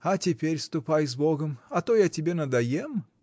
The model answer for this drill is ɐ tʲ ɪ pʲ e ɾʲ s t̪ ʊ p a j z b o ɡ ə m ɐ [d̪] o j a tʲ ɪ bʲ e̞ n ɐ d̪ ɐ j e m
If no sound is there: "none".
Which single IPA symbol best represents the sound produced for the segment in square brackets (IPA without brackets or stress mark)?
t̪